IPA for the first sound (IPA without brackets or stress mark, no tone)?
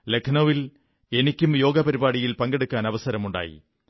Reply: l